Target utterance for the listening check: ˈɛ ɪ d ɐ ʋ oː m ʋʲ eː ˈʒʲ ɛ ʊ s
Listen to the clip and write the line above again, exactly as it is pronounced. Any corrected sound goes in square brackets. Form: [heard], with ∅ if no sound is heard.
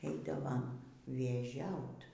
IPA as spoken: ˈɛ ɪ d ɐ ʋ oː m ʋʲ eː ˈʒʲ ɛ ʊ [t]